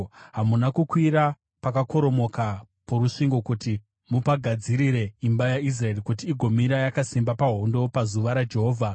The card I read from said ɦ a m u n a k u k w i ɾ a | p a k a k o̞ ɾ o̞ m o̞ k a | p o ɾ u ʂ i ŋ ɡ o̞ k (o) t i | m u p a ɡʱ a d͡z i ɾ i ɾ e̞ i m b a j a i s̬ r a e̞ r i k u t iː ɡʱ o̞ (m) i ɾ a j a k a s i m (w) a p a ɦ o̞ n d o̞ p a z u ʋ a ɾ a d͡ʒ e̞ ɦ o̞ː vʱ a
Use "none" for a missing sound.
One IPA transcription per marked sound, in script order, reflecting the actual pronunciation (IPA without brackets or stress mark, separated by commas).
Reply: u, m, b